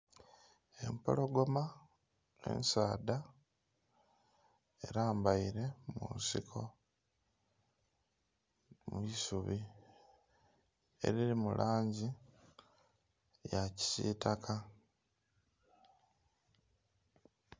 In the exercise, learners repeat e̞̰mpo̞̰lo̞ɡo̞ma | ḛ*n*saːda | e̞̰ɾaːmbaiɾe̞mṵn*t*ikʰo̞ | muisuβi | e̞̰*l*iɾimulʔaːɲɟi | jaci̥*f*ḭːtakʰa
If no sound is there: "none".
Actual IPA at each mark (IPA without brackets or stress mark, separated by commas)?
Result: n, s, ɾ, s